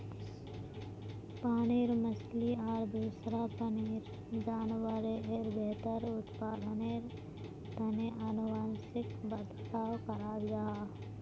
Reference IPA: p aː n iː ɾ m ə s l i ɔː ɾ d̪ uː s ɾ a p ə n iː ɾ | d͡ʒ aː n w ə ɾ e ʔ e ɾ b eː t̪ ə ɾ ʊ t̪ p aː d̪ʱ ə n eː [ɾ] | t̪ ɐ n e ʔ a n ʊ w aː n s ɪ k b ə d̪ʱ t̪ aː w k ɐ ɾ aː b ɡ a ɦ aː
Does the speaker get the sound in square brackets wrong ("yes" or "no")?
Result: no